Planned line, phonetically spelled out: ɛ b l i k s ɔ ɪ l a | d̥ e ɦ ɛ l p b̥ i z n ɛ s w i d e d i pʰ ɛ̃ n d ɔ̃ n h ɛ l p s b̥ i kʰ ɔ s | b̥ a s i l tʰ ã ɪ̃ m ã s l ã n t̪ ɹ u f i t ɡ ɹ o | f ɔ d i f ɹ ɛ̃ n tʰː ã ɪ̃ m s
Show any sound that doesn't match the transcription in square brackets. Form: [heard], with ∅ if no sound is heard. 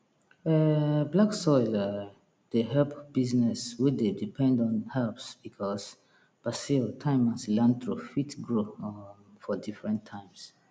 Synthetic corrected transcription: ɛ b l [a] k s ɔ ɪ l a | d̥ e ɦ ɛ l p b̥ i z n ɛ s w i d e d i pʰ ɛ̃ n d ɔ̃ n h ɛ l p s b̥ i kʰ ɔ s | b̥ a s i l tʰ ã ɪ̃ m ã s l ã n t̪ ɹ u f i t ɡ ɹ o | f ɔ d i f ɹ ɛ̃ n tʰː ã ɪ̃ m s